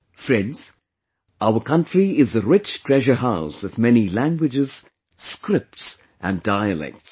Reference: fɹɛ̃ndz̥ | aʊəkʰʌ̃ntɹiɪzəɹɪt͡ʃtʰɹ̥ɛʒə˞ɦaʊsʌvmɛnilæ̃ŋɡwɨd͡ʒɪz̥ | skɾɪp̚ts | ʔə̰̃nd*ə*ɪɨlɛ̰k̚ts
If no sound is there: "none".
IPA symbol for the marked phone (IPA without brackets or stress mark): a